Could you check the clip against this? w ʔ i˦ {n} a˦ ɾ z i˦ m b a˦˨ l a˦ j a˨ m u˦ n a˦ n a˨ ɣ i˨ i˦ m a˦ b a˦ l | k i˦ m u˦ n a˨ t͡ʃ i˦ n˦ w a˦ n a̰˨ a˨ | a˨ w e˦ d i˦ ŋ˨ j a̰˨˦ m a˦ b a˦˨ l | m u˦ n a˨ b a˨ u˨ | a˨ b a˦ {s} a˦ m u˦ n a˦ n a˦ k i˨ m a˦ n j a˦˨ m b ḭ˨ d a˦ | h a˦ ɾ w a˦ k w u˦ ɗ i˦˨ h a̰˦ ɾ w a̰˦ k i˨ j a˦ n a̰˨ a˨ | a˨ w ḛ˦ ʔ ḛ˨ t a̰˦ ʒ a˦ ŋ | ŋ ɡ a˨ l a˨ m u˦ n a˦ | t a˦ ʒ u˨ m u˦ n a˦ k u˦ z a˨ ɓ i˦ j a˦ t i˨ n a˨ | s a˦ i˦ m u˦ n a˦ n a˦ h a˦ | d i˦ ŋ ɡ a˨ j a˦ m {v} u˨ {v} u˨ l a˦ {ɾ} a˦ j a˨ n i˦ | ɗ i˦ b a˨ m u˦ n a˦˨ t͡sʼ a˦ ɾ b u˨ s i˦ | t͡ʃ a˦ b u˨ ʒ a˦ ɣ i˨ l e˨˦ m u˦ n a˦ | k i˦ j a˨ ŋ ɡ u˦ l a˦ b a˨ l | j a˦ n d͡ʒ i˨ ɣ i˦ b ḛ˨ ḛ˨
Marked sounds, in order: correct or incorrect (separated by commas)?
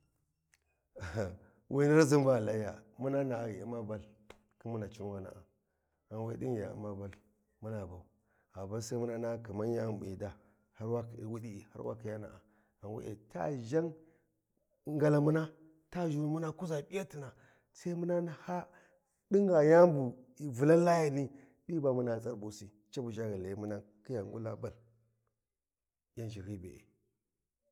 correct, correct, incorrect, correct, incorrect